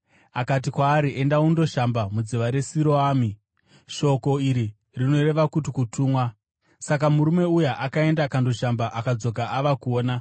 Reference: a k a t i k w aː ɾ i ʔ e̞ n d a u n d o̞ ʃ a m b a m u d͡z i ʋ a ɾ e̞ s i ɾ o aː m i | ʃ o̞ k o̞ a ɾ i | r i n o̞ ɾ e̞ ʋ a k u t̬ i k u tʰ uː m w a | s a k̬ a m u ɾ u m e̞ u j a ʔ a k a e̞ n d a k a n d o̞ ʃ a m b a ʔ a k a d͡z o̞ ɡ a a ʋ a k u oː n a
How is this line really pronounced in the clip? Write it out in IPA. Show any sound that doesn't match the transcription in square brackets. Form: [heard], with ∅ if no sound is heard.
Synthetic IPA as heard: a k a t i k w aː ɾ i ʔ e̞ n d a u n d o̞ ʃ a m b a m u d͡z i ʋ a ɾ e̞ s i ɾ o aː m i | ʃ o̞ k o̞ [i] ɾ i | r i n o̞ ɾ e̞ ʋ a k u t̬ i k u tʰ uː m w a | s a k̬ a m u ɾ u m e̞ u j a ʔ a k a e̞ n d a k a n d o̞ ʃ a m b a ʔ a k a d͡z o̞ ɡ a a ʋ a k u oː n a